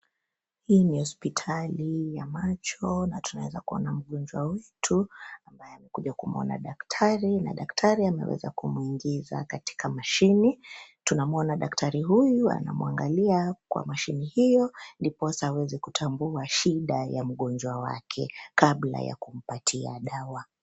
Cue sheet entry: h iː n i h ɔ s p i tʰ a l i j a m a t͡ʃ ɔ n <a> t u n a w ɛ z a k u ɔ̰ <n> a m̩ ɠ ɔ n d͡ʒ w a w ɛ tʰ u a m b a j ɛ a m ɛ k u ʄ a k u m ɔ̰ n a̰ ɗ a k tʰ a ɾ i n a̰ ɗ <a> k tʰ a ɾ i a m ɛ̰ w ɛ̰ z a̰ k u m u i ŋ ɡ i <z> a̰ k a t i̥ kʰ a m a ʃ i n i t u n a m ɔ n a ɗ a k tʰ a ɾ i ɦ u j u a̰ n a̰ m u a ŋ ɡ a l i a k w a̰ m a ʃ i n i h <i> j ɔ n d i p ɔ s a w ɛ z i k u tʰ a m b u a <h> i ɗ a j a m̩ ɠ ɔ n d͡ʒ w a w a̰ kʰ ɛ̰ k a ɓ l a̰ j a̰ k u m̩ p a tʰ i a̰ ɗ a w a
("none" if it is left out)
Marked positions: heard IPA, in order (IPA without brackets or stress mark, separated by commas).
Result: a, n, a, z, i, ʃ